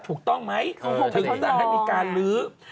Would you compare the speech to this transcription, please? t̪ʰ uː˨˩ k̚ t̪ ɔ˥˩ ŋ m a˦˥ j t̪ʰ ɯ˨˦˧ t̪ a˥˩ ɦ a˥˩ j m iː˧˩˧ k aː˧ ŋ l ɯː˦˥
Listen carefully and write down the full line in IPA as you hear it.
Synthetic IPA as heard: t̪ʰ uː˨˩ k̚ t̪ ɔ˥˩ ŋ m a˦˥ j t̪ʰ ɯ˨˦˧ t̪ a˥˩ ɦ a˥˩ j m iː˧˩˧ k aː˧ n l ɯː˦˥